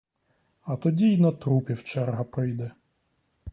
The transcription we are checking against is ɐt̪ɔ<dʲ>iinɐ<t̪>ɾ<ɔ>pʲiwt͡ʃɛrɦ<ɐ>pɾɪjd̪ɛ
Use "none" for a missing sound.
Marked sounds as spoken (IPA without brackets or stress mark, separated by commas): dʲ, t̪, u, ɐ